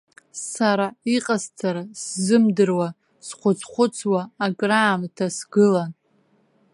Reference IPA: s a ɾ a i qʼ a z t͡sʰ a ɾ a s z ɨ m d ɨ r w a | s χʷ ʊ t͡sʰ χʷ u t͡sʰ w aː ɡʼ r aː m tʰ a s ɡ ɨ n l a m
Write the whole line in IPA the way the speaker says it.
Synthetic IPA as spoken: s a ɾ a i qʼ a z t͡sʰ a ɾ a s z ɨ m d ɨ r w a | s χʷ ʊ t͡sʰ χʷ ʊ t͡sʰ w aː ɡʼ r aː m tʰ a s ɡ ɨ l a n